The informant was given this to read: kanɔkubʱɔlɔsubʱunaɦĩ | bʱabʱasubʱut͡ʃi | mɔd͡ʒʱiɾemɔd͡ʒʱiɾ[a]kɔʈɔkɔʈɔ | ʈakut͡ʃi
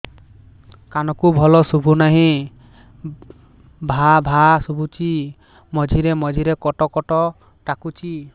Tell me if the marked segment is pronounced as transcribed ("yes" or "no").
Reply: no